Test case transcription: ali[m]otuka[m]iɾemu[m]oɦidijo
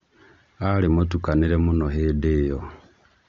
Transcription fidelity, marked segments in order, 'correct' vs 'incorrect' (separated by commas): correct, incorrect, incorrect